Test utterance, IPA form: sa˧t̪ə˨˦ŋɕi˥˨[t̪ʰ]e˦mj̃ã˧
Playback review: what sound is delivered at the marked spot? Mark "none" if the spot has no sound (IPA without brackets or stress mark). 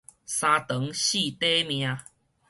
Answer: t̪